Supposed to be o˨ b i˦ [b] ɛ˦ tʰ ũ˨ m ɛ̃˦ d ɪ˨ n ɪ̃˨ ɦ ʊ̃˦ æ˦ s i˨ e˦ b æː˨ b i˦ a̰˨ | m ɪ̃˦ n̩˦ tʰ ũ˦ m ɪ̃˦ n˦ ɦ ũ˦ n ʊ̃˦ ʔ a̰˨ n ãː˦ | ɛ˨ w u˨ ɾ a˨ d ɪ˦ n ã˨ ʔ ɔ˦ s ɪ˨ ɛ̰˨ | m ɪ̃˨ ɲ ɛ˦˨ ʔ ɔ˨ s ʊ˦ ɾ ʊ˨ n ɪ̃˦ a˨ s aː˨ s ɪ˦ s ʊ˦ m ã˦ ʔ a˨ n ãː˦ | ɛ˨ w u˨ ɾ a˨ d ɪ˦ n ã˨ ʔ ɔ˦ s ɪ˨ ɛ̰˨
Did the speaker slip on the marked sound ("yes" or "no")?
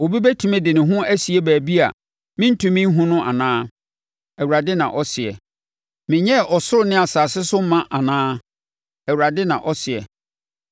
no